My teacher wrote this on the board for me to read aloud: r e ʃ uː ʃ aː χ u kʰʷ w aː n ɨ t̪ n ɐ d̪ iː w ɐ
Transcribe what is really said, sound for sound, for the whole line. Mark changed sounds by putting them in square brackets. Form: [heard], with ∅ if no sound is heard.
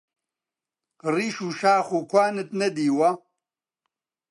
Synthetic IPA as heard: r [i] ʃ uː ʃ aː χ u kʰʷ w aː n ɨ t̪ n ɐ d̪ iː w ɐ

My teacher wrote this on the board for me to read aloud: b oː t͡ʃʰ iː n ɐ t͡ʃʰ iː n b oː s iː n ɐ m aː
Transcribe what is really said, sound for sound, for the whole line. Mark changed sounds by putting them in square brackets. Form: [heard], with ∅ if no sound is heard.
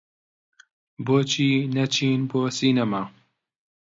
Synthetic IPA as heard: b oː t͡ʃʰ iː n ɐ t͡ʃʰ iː n b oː s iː n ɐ m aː

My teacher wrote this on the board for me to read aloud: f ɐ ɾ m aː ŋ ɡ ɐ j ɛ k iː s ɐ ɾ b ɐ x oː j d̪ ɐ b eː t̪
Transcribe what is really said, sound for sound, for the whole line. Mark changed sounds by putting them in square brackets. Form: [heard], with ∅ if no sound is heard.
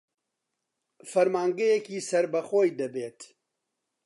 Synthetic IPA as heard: f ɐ ɾ m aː ŋ ɡ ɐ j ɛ k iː s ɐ ɾ b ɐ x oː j d̪ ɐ b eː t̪

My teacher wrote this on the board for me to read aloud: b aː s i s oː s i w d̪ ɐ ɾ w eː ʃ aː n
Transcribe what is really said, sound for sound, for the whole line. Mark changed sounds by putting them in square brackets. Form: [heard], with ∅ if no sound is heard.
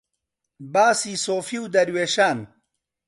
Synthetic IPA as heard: b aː s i s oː [f] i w d̪ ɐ ɾ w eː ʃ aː n

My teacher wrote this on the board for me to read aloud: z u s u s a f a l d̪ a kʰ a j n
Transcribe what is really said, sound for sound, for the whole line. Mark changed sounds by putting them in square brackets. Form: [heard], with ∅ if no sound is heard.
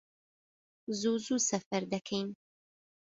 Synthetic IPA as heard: z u [z] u s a f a [ɾ] d̪ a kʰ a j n

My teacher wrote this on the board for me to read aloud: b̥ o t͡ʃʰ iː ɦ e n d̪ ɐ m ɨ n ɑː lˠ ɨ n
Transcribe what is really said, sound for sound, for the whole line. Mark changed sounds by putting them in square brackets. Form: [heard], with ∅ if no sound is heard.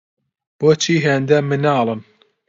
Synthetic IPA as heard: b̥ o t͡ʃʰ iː ɦ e n d̪ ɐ m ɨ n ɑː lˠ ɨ [m]

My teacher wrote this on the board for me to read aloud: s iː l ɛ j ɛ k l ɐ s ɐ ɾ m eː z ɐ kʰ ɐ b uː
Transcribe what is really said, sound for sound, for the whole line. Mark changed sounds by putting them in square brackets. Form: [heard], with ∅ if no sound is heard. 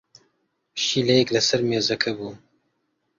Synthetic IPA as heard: [ʃ] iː l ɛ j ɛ k l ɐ s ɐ ɾ m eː z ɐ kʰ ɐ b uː

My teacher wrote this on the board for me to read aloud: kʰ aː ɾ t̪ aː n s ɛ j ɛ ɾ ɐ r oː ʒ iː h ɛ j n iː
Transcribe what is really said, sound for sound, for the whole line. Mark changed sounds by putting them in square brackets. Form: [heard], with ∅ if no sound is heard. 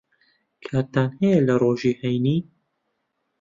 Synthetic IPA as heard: kʰ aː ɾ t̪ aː n [h] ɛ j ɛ [l] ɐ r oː ʒ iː h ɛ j n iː

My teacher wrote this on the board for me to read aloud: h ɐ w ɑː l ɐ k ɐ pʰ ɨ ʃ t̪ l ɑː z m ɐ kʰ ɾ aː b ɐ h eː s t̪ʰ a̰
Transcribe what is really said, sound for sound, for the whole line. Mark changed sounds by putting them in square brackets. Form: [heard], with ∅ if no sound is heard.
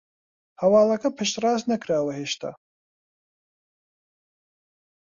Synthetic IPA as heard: h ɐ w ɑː l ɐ k ɐ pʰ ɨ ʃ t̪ [r] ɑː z [n] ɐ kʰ ɾ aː [w] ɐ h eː [ʃ] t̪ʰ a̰

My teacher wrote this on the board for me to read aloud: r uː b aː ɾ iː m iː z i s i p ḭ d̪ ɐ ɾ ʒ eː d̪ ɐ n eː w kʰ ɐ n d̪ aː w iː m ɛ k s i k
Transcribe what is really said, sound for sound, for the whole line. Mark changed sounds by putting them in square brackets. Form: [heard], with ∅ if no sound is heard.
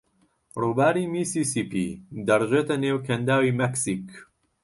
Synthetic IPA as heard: r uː b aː ɾ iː m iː [s] i s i p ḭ d̪ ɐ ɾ ʒ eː [t̪] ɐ n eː w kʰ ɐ n d̪ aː w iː m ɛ k s i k

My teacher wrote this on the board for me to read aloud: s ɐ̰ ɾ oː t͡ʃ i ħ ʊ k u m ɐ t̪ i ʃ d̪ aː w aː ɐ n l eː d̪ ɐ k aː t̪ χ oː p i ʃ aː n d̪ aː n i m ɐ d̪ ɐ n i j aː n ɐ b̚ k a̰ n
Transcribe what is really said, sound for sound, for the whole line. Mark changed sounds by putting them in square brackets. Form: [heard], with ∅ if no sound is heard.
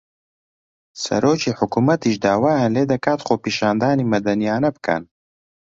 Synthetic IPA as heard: s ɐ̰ ɾ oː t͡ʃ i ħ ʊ k u m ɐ t̪ i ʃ d̪ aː w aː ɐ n l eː d̪ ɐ k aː t̪ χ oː p i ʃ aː n d̪ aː n i m ɐ d̪ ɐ n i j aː n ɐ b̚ k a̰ n

